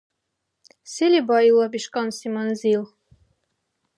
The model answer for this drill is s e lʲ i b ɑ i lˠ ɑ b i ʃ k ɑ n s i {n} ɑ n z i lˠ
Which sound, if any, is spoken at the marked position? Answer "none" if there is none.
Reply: m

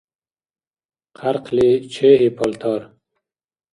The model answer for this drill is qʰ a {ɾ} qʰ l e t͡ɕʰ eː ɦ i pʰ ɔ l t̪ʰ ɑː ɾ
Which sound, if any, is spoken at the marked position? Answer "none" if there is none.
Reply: ɾ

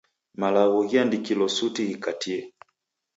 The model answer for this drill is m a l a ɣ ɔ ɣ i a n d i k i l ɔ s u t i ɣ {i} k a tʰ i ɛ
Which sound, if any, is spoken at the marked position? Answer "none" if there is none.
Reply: i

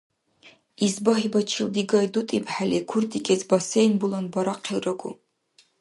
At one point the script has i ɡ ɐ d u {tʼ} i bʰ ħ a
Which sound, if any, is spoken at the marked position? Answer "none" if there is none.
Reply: tʼ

